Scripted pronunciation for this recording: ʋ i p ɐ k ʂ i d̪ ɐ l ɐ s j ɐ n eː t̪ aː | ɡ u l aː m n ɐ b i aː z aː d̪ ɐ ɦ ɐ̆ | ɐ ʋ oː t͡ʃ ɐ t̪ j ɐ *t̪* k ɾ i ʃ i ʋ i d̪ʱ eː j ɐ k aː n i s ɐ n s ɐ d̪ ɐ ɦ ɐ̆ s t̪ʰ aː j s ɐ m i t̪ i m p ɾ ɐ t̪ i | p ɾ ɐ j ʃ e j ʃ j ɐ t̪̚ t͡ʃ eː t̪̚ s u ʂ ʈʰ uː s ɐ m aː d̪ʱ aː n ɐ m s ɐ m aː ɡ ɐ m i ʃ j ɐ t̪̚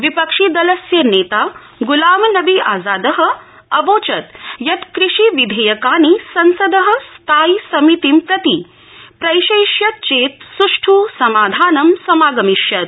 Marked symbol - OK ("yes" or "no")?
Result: yes